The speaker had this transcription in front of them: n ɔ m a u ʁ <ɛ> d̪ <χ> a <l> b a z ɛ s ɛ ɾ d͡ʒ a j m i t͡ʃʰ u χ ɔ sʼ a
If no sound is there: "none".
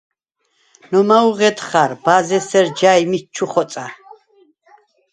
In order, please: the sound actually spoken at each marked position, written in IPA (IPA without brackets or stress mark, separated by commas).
ɛ, χ, ɾ